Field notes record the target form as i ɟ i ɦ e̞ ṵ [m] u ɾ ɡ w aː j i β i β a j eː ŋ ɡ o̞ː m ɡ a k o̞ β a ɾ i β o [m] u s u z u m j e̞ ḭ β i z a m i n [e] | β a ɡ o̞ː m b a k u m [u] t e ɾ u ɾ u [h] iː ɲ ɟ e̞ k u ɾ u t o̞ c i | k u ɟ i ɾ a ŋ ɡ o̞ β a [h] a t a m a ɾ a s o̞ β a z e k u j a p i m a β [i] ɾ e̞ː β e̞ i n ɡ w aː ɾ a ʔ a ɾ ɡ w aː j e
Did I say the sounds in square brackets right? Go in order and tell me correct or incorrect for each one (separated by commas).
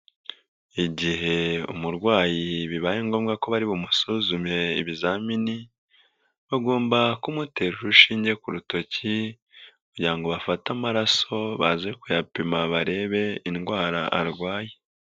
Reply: correct, correct, incorrect, correct, incorrect, incorrect, incorrect